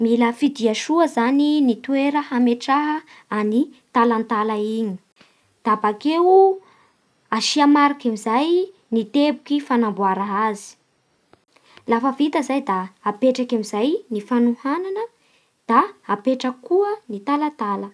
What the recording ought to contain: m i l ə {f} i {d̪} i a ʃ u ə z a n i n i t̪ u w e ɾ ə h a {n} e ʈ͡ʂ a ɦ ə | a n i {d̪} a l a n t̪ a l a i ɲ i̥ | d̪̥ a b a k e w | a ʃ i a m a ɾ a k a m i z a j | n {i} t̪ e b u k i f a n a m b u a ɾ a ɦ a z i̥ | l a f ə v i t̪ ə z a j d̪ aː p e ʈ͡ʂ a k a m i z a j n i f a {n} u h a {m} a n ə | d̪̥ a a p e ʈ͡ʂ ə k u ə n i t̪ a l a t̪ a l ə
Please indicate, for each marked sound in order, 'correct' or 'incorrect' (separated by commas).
correct, correct, incorrect, incorrect, correct, correct, incorrect